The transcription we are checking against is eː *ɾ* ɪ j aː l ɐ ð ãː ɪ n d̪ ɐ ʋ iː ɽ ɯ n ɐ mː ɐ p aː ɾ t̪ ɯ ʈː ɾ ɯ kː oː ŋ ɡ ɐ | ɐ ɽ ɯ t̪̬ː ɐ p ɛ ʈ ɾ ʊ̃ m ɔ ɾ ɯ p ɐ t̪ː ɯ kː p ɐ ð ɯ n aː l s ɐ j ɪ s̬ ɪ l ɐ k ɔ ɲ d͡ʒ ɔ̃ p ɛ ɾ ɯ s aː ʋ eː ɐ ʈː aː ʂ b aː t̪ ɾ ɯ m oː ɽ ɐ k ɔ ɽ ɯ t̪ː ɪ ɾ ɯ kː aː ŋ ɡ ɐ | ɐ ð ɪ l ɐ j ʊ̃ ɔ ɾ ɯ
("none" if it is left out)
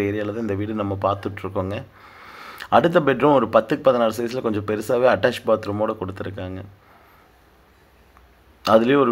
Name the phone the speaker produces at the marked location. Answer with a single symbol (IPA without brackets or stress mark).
ɾ